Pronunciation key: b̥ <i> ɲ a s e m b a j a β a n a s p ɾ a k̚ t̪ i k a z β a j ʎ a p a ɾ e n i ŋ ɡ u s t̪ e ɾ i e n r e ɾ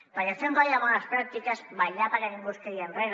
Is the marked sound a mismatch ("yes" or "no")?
yes